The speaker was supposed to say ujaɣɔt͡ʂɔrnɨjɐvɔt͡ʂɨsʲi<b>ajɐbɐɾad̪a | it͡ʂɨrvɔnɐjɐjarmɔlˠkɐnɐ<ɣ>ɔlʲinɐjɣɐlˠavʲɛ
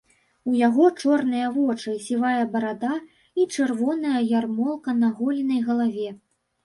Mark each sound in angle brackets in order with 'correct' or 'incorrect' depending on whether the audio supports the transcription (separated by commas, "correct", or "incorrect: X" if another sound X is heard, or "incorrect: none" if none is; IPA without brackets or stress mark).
incorrect: v, correct